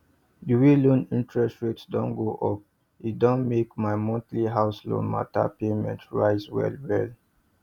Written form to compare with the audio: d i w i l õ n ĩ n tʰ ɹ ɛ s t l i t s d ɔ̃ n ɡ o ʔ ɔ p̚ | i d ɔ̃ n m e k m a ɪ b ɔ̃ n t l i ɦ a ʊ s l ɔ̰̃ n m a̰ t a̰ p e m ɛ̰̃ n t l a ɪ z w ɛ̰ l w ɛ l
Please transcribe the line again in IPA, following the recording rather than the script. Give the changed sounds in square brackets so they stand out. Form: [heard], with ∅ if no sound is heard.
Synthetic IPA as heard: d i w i l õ n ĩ n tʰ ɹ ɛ s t [ɹ] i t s d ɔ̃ n ɡ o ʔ ɔ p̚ | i d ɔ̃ n m e k m a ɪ [m] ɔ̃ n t l i ɦ a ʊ s l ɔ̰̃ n m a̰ t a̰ p e m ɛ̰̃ n t [ɹ] a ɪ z w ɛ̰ l w ɛ l